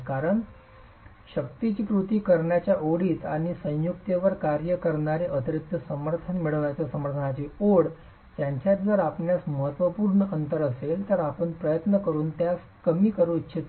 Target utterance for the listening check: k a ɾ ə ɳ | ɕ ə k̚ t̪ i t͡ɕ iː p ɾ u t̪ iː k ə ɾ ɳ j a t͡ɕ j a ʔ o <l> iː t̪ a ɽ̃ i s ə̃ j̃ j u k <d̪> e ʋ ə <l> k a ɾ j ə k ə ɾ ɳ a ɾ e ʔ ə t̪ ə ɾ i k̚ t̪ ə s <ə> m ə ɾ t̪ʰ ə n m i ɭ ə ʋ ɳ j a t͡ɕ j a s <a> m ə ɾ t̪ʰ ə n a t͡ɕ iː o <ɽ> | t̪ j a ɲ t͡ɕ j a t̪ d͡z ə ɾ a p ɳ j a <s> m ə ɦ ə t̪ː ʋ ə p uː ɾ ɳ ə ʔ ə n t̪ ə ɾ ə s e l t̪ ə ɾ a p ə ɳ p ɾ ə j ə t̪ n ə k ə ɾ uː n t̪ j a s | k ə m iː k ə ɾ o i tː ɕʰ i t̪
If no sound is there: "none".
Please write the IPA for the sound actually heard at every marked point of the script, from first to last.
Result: ɽ, t̪, ɾ, ə, ə, ɽ, s

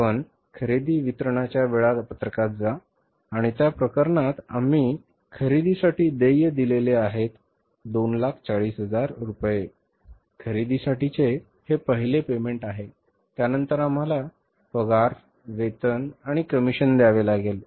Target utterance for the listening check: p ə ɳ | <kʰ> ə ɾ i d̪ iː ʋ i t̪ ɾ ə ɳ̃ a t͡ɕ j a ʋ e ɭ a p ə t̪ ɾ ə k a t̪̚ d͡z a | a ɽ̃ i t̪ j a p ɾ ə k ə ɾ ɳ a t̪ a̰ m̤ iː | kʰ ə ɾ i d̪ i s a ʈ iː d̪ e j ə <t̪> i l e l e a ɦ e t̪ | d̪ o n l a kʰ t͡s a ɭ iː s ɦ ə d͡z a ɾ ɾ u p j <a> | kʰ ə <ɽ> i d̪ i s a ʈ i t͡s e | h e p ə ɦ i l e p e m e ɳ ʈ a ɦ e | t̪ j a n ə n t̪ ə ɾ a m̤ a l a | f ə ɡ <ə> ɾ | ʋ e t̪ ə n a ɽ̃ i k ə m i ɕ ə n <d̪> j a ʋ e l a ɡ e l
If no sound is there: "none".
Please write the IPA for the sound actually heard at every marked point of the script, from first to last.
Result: kʰ, d̪, e, ɾ, a, d̪

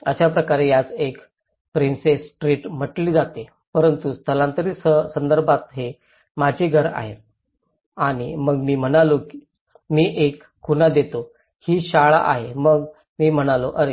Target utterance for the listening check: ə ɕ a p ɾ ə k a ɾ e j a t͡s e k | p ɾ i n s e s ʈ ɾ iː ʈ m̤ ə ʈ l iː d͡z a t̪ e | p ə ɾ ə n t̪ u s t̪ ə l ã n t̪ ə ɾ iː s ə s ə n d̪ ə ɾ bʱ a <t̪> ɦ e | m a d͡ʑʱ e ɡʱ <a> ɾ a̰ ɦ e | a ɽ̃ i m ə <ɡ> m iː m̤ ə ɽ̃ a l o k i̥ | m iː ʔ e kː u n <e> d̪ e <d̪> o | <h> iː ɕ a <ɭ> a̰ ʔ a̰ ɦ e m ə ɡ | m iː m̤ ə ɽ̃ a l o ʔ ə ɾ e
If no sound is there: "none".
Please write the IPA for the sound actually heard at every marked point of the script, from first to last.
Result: t̪, ə, ɡ, a, t̪, h, ɭ

